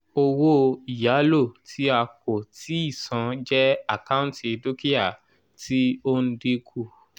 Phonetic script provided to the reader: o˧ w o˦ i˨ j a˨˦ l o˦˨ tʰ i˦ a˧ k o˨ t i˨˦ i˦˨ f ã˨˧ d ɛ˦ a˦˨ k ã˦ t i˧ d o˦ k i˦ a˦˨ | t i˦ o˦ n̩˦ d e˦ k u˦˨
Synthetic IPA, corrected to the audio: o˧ w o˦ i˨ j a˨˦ l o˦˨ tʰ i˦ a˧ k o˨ t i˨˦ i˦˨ s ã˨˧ d͡ʒ ɛ˦ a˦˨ k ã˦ t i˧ d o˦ k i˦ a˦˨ | t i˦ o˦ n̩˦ d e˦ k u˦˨